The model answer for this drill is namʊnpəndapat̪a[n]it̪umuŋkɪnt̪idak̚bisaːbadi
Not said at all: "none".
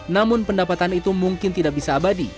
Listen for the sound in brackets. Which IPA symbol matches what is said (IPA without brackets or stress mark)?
n